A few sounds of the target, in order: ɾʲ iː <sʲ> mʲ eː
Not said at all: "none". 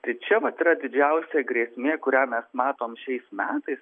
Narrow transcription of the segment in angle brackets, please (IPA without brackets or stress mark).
sʲ